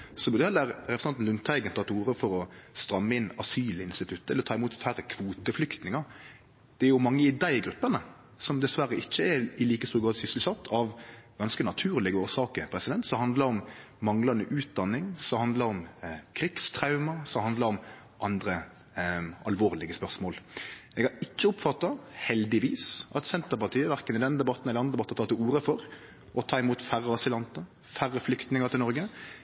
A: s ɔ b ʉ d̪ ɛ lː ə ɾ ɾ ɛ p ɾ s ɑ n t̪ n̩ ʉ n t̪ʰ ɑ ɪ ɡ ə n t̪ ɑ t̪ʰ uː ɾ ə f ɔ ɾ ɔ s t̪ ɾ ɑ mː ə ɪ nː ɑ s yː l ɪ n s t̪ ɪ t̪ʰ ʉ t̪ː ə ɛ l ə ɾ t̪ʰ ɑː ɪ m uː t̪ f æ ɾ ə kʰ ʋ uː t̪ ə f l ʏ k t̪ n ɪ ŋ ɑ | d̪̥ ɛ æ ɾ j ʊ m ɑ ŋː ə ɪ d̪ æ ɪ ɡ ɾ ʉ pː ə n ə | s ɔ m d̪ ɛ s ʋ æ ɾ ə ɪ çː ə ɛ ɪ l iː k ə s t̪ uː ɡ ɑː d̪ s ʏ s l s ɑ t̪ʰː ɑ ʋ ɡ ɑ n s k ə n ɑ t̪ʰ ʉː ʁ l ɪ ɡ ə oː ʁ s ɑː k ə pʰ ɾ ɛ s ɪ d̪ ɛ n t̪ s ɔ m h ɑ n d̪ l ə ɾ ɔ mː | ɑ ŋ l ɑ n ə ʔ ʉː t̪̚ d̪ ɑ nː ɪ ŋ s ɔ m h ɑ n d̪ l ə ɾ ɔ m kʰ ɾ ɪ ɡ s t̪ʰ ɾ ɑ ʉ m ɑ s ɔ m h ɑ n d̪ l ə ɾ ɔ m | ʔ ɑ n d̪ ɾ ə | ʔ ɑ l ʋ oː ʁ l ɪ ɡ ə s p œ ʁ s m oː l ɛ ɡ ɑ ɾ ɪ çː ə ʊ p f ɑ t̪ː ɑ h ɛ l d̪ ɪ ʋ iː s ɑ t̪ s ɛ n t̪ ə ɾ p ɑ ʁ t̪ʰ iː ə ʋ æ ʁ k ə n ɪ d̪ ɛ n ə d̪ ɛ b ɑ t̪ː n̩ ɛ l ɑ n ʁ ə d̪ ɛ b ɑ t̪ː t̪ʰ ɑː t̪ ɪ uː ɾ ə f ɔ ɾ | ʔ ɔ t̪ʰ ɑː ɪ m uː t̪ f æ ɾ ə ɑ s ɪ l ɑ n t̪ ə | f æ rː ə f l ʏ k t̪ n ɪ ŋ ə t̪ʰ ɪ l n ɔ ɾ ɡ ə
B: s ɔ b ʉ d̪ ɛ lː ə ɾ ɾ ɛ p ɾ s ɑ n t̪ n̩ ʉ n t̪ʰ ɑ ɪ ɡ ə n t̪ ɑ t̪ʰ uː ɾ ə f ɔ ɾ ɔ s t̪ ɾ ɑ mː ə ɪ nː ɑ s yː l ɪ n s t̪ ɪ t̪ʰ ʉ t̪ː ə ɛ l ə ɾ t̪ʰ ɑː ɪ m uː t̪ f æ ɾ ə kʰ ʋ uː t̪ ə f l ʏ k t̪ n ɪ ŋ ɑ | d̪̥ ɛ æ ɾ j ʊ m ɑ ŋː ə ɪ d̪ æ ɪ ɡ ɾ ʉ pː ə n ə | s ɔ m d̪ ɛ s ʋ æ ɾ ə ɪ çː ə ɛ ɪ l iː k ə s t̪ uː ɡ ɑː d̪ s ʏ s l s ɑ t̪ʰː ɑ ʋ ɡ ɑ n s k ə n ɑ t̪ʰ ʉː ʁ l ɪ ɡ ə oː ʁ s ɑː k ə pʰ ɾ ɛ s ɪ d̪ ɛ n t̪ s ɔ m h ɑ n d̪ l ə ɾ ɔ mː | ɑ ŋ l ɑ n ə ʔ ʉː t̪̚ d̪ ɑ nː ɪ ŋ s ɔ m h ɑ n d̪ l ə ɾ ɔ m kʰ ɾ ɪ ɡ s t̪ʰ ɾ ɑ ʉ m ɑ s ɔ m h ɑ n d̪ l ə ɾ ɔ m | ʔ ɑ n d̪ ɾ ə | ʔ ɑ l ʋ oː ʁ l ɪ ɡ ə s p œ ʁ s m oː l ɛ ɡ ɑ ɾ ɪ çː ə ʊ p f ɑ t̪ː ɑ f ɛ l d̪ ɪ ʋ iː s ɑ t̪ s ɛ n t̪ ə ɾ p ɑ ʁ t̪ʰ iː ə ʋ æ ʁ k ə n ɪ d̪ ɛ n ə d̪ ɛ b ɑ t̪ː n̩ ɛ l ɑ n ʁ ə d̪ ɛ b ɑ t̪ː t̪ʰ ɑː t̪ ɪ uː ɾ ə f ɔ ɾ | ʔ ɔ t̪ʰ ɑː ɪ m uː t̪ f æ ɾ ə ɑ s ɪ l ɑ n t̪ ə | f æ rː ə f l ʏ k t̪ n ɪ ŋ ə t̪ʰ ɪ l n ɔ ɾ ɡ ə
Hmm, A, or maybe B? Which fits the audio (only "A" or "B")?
A